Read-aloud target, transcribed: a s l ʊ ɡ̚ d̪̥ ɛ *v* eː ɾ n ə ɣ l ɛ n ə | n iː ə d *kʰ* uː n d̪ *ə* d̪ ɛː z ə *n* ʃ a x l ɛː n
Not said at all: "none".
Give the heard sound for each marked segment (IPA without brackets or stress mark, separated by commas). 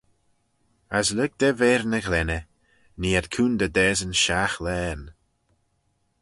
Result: v, kʰ, ə, n